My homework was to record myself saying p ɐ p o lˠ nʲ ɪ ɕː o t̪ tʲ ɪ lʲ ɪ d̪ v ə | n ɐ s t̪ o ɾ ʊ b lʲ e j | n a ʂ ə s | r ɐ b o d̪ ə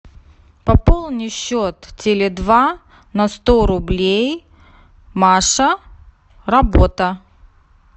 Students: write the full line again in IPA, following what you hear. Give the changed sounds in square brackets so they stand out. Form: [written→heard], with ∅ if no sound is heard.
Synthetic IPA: p ɐ p o lˠ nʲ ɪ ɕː o t̪ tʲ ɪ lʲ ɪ d̪ v [ə→a] | n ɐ s t̪ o ɾ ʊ b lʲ e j | [n→m] a ʂ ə [s→∅] | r ɐ b o [d̪→t̪] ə